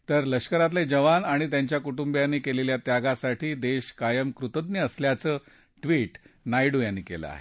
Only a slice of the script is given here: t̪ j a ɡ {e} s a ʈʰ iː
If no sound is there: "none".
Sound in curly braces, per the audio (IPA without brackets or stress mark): a